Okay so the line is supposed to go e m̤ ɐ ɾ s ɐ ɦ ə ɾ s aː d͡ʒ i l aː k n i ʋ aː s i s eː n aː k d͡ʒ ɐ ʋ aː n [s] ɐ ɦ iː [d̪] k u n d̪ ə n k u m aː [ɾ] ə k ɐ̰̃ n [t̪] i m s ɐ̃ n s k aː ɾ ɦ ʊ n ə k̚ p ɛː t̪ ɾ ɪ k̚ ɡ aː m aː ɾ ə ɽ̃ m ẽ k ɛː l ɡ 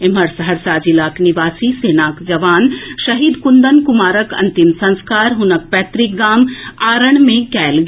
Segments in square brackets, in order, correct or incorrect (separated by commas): incorrect, correct, correct, correct